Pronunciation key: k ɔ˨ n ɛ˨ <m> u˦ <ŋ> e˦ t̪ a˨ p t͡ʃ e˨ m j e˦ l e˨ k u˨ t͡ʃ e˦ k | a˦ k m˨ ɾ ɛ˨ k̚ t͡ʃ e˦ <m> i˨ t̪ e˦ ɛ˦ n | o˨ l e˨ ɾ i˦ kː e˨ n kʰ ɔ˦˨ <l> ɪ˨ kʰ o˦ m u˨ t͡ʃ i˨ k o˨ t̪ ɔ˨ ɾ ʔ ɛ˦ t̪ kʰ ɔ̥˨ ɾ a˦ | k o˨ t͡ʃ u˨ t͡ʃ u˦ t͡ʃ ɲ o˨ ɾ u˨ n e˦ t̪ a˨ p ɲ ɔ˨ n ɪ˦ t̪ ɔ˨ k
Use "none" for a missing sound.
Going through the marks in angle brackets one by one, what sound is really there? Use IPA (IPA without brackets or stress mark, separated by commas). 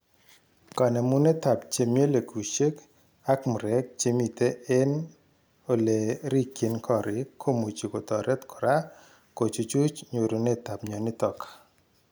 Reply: m, n, m, ɾ